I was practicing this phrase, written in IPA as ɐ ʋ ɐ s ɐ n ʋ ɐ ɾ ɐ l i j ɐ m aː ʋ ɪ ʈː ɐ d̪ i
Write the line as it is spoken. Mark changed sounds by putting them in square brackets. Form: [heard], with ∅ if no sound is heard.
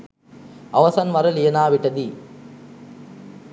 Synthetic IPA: ɐ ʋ ɐ s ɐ n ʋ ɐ ɾ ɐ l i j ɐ [n] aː ʋ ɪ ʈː ɐ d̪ i